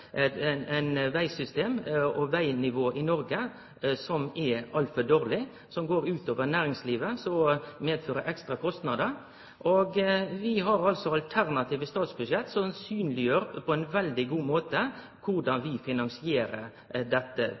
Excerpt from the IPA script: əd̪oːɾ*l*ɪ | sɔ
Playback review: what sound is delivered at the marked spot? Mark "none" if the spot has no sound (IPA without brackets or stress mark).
l